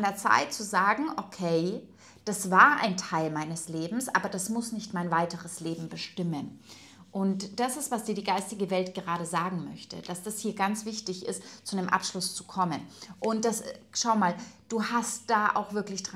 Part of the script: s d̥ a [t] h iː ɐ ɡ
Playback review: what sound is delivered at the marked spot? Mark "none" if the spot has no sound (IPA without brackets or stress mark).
s